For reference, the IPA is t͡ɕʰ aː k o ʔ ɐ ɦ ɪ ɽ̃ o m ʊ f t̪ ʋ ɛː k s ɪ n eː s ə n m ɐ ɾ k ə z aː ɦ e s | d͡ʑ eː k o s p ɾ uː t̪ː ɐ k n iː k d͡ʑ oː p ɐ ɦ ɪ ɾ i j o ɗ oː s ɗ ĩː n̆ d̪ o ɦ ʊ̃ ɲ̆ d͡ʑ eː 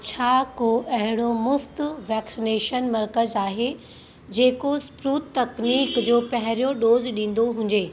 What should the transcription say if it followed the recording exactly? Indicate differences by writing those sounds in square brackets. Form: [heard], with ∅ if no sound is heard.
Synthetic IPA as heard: t͡ɕʰ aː k o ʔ ɐ ɦ ɪ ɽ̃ o m ʊ f t̪ ʋ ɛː k s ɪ n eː [ʃ] ə n m ɐ ɾ k ə z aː ɦ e [∅] | d͡ʑ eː k o s p ɾ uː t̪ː ɐ k n iː k d͡ʑ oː p ɐ ɦ ɪ ɾ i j o ɗ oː [z] ɗ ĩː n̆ d̪ o ɦ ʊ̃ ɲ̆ d͡ʑ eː